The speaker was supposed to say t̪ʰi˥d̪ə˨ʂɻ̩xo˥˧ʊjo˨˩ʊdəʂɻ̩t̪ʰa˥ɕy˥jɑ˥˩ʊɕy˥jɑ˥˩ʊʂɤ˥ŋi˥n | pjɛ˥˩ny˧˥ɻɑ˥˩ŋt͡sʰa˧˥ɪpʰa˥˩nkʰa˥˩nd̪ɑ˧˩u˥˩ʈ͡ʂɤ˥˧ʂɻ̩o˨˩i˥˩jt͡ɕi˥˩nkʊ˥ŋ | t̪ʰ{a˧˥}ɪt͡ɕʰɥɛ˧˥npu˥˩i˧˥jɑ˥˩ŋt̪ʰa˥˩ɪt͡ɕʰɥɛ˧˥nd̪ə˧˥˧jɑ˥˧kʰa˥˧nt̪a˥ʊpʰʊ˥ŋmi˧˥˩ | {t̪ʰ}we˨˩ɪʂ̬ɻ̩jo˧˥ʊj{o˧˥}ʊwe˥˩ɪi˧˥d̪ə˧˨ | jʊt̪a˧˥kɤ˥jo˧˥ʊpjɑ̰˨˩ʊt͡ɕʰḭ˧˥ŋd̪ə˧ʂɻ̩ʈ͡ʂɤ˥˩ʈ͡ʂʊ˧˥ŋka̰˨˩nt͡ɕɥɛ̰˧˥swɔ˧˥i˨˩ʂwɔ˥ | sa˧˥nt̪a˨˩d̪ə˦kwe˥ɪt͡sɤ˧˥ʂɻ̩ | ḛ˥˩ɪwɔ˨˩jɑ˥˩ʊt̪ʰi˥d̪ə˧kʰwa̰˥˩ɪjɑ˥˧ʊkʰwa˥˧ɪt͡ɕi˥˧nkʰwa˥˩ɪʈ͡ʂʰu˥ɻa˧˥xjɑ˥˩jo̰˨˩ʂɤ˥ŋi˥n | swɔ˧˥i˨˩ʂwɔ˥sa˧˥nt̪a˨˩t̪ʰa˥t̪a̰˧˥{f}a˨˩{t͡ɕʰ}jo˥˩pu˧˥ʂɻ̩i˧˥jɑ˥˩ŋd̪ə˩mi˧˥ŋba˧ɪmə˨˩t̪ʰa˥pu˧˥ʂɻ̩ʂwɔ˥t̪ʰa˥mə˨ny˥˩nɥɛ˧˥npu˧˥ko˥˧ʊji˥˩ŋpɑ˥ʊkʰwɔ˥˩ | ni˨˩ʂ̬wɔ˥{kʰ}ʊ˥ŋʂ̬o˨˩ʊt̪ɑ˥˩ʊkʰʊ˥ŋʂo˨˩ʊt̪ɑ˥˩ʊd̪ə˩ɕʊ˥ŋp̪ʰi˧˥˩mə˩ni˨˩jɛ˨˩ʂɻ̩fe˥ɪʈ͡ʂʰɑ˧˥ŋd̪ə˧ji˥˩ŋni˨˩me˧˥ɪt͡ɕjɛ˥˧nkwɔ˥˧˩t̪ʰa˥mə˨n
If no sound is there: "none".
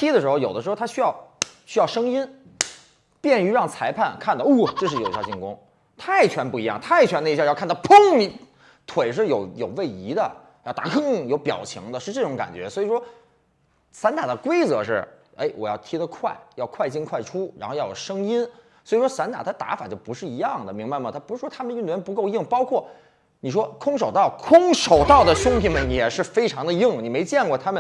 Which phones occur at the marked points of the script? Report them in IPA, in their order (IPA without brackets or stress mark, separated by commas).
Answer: a˥˩, t̪ʰ, o˨˩, f, t͡ɕ, kʰ